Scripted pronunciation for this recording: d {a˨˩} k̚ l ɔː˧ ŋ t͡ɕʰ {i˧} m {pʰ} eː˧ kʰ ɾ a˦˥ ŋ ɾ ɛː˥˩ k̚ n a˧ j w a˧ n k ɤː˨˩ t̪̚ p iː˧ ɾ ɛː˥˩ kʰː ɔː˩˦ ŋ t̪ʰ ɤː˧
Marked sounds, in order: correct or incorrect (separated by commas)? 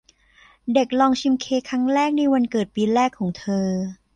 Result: incorrect, correct, incorrect